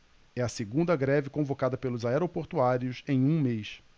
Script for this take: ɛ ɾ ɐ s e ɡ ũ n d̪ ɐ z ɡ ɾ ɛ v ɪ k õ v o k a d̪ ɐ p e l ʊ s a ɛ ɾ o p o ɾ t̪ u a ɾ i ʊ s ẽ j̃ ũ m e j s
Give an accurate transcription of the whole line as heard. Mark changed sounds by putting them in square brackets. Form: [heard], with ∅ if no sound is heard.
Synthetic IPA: ɛ [∅] ɐ s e ɡ ũ n d̪ ɐ [∅] ɡ ɾ ɛ v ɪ k õ v o k a d̪ ɐ p e l ʊ [z] a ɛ ɾ o p o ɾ t̪ u a ɾ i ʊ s ẽ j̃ ũ m e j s